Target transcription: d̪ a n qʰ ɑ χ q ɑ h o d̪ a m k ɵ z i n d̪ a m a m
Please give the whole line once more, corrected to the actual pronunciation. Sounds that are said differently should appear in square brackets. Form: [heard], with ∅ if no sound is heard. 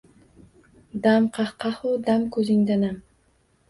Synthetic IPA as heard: d̪ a [m] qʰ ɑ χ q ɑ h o d̪ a m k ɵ z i [ŋ] d̪ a [n] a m